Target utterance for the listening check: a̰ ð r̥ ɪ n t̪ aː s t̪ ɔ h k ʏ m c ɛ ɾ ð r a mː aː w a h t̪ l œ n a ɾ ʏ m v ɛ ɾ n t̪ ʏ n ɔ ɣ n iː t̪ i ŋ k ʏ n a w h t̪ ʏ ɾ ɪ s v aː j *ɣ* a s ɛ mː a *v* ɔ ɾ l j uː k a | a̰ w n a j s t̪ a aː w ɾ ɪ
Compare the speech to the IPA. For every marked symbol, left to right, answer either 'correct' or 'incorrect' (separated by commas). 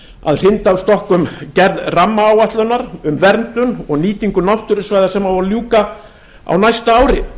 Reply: incorrect, correct